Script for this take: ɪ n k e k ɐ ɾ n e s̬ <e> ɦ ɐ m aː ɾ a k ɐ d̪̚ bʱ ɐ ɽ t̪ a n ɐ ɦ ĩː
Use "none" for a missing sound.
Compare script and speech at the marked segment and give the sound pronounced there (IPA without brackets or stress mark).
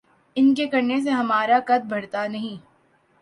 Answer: e